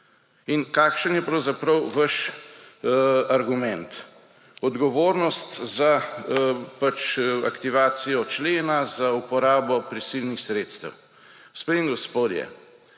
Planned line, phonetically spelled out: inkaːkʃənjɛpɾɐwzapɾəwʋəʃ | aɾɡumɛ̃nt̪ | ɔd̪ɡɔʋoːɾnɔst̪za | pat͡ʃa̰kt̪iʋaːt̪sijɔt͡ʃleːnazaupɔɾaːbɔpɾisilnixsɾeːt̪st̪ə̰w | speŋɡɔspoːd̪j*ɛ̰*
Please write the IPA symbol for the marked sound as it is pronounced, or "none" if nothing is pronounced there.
ɛ̰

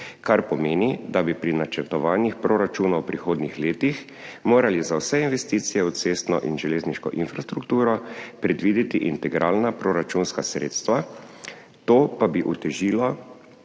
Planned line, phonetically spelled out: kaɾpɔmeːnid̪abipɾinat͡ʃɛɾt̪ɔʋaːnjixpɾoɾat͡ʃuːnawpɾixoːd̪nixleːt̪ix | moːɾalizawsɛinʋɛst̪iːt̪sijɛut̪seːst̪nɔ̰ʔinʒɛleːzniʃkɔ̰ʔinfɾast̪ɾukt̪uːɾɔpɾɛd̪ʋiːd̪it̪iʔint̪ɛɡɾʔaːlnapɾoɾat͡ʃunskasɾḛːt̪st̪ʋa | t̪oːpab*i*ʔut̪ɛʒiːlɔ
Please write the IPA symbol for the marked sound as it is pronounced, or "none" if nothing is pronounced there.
i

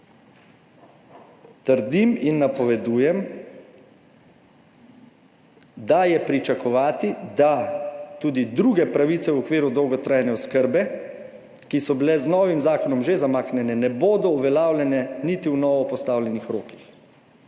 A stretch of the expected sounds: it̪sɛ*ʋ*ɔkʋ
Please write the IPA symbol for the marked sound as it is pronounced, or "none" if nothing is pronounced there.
w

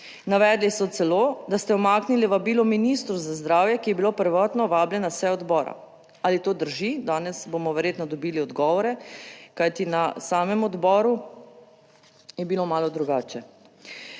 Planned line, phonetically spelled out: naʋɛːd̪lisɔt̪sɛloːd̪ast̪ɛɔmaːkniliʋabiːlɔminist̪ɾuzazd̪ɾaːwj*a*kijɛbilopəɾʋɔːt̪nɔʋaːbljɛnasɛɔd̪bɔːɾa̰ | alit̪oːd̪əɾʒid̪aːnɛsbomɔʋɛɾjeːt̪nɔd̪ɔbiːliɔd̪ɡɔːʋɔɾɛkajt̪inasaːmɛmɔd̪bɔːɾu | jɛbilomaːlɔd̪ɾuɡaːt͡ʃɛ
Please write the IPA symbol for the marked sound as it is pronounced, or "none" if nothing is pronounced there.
ɛ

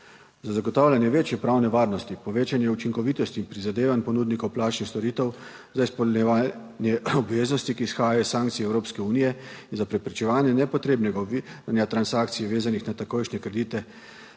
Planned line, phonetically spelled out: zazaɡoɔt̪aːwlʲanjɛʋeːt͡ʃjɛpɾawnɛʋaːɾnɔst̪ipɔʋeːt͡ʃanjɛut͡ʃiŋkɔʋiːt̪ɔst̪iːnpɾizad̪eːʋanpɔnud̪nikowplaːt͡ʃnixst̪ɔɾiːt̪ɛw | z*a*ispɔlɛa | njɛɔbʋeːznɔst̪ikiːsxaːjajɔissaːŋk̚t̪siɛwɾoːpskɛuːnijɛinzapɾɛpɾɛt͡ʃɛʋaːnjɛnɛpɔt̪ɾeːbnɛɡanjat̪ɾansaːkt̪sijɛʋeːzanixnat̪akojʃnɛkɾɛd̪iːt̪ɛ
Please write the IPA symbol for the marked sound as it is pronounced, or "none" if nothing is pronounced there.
a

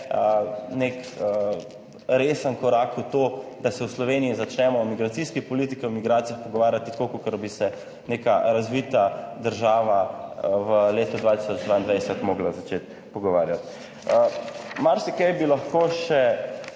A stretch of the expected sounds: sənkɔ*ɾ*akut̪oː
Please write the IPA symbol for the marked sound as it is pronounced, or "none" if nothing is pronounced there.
ɾ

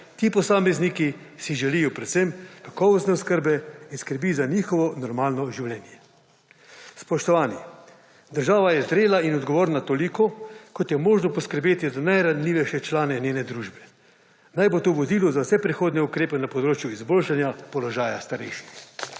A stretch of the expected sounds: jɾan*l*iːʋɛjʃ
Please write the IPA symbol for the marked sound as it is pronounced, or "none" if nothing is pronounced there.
l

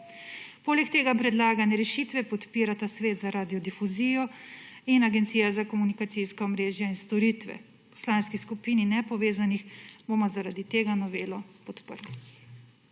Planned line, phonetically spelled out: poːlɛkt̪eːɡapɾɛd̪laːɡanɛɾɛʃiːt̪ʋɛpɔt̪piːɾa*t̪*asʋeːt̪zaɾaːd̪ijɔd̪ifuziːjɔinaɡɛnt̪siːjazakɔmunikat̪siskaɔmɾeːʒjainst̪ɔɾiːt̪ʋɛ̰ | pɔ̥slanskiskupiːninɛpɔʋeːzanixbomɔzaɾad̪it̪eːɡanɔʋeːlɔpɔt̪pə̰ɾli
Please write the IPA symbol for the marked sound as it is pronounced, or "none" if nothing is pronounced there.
t̪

